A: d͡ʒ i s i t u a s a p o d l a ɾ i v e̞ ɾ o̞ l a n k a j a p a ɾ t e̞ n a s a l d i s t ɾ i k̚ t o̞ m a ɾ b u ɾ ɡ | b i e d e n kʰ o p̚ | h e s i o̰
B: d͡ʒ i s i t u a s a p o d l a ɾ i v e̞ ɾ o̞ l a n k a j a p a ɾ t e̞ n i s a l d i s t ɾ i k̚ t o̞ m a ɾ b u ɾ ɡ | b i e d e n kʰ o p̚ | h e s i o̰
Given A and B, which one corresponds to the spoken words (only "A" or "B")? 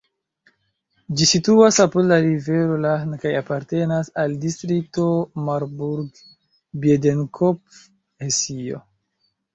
A